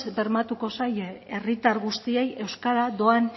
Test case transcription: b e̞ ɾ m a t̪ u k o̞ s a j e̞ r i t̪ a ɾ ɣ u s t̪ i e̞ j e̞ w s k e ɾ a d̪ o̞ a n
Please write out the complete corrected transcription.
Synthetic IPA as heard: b e̞ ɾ m a t̪ u k o̞ s a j e̞ r i t̪ a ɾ ɣ u s t̪ i e̞ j e̞ w s k a ɾ a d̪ o̞ a n